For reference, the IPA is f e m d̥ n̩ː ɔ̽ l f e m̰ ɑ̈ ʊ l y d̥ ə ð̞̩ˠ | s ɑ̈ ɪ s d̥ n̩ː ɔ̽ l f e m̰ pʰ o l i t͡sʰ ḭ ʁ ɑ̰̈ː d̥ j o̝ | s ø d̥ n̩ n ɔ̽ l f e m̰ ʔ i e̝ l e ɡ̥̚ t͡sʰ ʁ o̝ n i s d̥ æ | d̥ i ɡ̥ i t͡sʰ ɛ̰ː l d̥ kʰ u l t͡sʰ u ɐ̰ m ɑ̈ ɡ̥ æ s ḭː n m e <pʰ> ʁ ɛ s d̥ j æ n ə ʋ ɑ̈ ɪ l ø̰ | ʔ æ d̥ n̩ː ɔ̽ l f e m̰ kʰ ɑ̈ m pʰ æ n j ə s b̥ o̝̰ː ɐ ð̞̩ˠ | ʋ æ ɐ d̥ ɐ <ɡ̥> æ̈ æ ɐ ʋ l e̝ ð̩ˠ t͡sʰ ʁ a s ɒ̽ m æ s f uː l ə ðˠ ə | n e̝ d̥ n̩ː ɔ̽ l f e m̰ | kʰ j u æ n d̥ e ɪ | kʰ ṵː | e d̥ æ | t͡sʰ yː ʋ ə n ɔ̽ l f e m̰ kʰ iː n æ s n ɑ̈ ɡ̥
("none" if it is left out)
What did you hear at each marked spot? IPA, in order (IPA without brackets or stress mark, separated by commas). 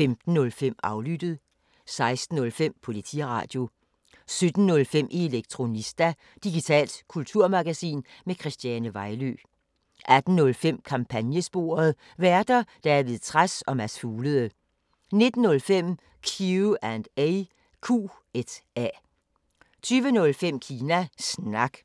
kʰ, d̥